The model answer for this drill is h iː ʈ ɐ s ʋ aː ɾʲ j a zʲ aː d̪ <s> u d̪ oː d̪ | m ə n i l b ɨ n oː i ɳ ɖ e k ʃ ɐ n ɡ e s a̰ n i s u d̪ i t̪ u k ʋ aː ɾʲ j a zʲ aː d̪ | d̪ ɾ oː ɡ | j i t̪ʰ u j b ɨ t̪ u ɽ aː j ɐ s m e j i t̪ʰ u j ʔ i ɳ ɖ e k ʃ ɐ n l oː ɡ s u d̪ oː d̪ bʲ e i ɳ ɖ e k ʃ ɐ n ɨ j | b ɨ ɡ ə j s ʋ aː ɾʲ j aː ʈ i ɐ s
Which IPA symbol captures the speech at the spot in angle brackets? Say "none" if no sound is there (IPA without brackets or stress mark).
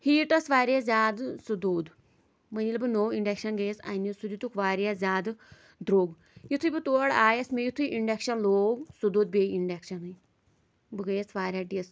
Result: s